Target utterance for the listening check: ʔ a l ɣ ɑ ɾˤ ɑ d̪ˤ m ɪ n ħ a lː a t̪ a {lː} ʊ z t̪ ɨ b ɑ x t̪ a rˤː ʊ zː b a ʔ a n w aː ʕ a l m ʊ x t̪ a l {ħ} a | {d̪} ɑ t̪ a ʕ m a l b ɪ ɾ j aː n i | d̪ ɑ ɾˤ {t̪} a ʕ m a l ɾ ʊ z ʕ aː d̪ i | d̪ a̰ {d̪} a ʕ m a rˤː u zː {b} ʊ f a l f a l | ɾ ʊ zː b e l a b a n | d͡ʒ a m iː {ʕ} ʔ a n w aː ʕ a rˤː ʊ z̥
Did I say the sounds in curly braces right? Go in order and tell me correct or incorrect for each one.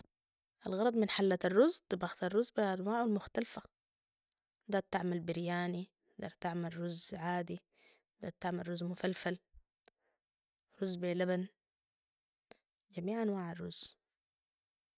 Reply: incorrect: rː, incorrect: f, correct, correct, incorrect: t̪, incorrect: m, correct

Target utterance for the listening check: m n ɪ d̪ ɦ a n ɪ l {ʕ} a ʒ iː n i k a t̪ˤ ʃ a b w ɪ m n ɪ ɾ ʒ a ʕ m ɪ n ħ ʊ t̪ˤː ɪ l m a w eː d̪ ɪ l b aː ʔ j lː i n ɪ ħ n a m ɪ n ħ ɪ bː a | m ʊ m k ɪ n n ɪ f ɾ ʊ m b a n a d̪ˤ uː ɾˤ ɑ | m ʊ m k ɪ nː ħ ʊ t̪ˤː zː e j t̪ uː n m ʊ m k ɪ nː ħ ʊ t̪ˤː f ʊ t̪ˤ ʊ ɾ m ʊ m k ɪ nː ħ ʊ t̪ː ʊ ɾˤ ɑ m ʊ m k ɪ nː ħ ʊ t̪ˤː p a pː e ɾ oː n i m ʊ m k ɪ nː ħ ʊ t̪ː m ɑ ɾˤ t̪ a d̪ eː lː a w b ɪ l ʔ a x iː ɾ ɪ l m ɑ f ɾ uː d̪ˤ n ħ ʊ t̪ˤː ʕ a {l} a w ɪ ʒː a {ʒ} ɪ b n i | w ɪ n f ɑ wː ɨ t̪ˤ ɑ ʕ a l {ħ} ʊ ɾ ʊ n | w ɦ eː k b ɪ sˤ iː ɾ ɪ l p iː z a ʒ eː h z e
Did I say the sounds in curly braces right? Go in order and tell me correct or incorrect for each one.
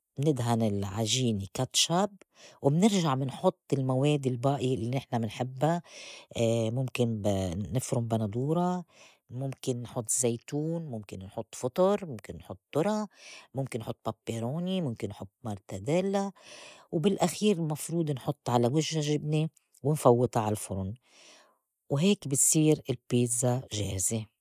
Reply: correct, correct, correct, incorrect: f

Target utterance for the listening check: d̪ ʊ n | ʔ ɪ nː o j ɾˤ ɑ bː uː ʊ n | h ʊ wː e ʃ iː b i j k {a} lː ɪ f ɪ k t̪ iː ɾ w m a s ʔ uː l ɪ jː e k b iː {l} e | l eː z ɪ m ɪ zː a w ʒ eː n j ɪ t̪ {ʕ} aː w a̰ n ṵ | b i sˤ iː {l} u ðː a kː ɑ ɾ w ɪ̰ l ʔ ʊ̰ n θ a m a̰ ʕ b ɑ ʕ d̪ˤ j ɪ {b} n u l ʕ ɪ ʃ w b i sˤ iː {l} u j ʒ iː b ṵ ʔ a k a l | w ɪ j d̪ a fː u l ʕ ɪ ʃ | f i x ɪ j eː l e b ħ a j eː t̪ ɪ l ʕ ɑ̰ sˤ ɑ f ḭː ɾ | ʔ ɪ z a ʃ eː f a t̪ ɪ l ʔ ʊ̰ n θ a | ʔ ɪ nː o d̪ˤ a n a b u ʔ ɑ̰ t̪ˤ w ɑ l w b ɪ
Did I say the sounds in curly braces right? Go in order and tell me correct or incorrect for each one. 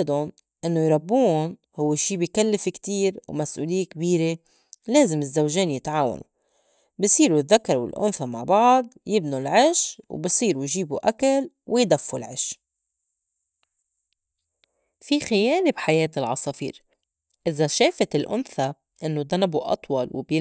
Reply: correct, incorrect: ɾ, correct, incorrect: ɾ, correct, incorrect: ɾ

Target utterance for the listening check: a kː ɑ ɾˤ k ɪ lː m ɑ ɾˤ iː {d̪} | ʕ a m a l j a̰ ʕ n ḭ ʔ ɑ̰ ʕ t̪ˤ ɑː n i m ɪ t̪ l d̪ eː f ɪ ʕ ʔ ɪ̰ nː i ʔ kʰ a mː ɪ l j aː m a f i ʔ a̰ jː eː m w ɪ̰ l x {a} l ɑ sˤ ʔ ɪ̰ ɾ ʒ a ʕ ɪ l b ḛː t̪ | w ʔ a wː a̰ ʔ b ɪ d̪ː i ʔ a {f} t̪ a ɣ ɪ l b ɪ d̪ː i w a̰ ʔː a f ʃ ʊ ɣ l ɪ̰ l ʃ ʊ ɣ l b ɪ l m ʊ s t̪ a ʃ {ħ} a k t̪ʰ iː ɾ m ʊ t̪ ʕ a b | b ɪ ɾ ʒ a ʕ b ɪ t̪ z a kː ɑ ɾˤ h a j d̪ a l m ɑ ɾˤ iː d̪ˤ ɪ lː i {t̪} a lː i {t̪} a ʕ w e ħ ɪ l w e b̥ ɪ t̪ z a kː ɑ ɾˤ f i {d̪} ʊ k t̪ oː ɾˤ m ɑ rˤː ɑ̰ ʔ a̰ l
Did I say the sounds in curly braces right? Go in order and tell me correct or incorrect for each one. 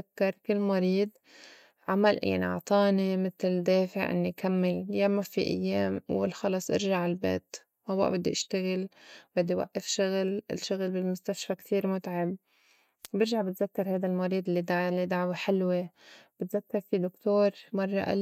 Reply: correct, incorrect: ɑ, incorrect: ʃ, incorrect: f, incorrect: d̪, incorrect: d̪, correct

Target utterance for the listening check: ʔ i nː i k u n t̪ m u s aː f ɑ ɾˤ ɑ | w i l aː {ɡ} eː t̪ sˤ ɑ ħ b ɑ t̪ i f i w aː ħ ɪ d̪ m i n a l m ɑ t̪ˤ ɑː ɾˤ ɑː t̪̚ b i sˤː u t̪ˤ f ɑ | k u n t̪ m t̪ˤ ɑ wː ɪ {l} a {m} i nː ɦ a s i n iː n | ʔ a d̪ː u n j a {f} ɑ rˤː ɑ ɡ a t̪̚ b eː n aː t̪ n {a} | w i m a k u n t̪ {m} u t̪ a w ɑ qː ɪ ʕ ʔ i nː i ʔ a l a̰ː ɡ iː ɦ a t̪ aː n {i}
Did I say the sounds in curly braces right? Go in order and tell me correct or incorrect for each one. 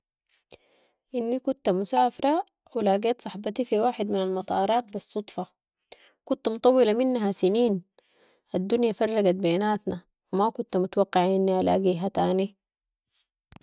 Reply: correct, correct, correct, correct, correct, correct, correct

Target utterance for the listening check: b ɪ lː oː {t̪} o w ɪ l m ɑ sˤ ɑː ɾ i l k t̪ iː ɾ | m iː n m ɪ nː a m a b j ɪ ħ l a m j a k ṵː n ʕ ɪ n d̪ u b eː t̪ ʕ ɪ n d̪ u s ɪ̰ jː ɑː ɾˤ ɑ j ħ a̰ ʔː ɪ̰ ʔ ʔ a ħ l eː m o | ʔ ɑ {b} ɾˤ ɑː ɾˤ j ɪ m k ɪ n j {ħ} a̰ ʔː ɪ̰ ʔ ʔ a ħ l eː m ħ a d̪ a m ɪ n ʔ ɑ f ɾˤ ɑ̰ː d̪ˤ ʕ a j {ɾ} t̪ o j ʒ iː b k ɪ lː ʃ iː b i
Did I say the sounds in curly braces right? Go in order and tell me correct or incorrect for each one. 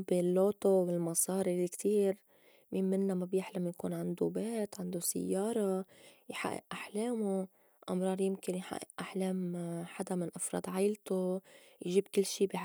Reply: correct, incorrect: m, correct, incorrect: l

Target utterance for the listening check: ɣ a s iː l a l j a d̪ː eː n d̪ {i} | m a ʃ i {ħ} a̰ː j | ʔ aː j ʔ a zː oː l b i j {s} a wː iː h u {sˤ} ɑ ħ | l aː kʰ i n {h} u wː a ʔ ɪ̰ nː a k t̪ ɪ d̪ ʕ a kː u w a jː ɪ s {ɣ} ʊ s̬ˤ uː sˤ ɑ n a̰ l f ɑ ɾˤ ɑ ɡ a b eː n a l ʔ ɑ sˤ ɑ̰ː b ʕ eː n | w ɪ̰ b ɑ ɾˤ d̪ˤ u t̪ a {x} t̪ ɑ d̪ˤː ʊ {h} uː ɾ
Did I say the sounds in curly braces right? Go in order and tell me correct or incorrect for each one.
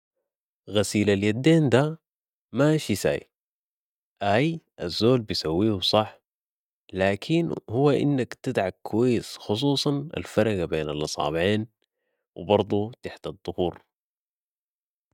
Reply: incorrect: a, incorrect: s, correct, correct, correct, incorrect: x, incorrect: ħ, correct

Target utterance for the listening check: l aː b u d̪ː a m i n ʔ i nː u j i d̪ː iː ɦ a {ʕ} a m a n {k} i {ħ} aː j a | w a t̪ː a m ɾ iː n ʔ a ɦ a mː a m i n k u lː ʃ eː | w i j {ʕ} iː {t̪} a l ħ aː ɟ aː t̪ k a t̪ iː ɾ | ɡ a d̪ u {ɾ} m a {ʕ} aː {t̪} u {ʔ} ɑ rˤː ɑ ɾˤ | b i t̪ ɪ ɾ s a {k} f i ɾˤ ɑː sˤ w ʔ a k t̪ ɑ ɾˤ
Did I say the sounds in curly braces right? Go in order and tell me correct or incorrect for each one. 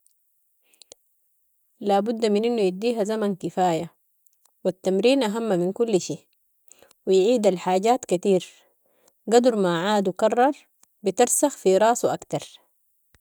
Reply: incorrect: z, correct, incorrect: f, correct, incorrect: d̪, correct, correct, incorrect: d̪, incorrect: k, incorrect: x

